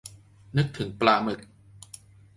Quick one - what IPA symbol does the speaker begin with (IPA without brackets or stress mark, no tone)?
n